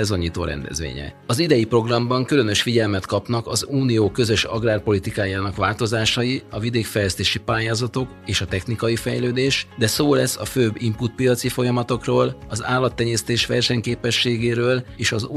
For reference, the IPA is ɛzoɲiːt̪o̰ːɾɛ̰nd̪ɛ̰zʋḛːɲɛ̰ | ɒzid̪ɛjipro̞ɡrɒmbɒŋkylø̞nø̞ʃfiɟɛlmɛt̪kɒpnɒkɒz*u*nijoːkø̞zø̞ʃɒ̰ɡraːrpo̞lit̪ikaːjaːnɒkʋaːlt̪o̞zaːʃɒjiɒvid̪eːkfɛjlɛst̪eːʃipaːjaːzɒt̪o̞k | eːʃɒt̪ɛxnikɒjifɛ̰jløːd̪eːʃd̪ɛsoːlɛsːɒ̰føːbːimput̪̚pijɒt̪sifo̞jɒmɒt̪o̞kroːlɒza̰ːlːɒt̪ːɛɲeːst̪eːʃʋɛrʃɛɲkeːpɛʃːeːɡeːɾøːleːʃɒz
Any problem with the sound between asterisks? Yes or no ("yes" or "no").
yes